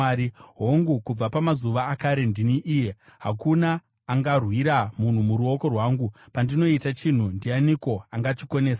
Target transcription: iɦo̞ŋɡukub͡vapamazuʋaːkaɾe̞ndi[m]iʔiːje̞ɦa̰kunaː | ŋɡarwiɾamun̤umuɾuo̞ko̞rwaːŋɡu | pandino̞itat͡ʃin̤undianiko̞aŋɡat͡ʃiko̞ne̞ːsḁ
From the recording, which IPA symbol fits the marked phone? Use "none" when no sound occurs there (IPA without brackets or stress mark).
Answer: n